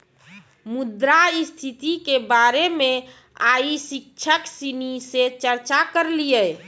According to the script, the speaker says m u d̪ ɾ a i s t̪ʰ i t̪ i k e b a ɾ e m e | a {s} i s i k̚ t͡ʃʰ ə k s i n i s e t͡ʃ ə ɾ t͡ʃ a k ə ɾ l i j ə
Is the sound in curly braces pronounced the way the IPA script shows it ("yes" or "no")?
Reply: no